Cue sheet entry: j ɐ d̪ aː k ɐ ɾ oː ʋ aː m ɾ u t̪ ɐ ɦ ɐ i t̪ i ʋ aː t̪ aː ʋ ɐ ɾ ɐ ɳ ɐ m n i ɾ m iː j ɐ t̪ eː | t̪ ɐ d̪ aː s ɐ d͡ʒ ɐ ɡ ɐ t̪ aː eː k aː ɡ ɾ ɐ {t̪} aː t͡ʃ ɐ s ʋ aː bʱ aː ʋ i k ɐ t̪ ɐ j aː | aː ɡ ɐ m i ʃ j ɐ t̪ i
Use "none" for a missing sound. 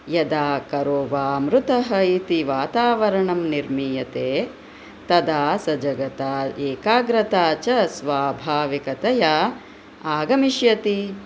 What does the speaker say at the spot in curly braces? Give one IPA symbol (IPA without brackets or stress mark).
t̪